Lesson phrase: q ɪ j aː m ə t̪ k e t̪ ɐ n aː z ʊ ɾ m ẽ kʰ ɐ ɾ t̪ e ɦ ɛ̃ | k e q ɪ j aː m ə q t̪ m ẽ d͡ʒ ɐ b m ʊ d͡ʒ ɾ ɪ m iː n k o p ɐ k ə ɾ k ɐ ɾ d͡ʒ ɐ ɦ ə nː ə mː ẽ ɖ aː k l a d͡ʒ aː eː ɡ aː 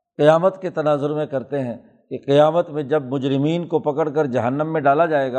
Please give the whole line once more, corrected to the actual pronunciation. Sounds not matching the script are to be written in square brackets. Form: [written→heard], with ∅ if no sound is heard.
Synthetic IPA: q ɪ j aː m ə t̪ k e t̪ ɐ n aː z ʊ ɾ m ẽ [kʰ→k] ɐ ɾ t̪ e ɦ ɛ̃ | k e q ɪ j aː m ə [q→∅] t̪ m ẽ d͡ʒ ɐ b m ʊ d͡ʒ ɾ ɪ m iː n k o p ɐ k ə [ɾ→ɽ] k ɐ ɾ d͡ʒ ɐ ɦ ə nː ə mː ẽ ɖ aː [k→∅] l a d͡ʒ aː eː ɡ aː